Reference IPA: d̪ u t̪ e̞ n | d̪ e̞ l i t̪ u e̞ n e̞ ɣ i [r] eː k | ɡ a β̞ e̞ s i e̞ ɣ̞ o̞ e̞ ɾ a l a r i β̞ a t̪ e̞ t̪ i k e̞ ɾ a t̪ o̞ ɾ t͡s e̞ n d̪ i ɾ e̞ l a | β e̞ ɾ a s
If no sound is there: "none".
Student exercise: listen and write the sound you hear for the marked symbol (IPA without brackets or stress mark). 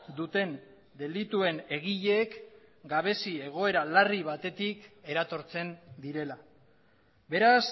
ʎ